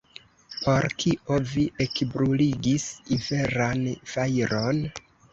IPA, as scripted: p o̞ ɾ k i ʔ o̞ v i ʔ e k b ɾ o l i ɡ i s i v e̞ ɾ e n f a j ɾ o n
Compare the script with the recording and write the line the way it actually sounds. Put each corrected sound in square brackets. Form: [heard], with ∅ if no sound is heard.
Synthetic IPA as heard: p o̞ ɾ k i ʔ o̞ v i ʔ e k b ɾ [u] l i ɡ i s i v e̞ ɾ [a] n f a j ɾ o n